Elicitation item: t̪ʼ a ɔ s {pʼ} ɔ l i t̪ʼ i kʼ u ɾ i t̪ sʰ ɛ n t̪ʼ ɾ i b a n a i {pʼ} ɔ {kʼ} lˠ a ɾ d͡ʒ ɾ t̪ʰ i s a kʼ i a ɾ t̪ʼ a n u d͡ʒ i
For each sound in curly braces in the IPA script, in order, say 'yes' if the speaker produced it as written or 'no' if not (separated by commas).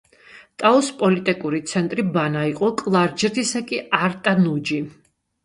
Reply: yes, no, yes